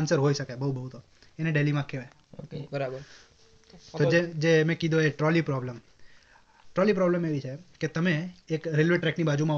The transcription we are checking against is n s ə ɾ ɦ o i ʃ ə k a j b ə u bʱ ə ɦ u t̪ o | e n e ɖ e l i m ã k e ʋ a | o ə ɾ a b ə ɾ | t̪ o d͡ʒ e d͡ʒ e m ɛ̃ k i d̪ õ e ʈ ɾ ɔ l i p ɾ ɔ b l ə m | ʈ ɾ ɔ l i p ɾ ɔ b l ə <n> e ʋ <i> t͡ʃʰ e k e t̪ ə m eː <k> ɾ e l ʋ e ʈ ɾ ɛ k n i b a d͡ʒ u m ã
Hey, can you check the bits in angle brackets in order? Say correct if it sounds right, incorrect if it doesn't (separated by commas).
incorrect, correct, correct